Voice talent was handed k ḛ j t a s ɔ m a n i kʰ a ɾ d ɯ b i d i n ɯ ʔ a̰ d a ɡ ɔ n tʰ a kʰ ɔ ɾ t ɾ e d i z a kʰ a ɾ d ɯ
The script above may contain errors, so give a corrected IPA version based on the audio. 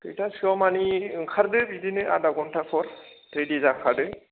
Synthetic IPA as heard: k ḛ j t a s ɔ m a n i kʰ a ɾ d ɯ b i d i n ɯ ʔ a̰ d a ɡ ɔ n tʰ a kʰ ɔ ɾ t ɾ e d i z a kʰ a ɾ d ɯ